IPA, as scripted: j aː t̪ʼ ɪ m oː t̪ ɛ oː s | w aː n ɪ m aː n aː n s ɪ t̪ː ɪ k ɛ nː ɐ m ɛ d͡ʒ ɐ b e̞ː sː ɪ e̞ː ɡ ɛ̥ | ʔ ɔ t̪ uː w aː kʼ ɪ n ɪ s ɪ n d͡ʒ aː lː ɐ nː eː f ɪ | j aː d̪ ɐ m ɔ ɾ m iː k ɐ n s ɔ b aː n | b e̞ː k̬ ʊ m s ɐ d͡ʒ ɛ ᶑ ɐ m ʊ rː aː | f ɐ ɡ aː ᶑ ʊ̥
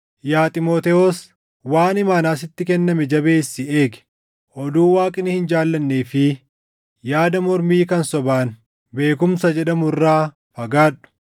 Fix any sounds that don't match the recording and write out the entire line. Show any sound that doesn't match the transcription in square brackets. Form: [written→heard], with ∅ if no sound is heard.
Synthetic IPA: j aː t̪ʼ ɪ m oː t̪ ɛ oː s | w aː n ɪ m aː n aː [n→∅] s ɪ t̪ː ɪ k ɛ nː ɐ m ɛ d͡ʒ ɐ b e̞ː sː ɪ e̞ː ɡ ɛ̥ | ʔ ɔ [t̪→d̪] uː w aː kʼ ɪ n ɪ [s→h] ɪ n d͡ʒ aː lː ɐ nː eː f ɪ | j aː d̪ ɐ m ɔ ɾ m iː k ɐ n s ɔ b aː n | b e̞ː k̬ ʊ m s ɐ d͡ʒ ɛ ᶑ ɐ m ʊ rː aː | f ɐ ɡ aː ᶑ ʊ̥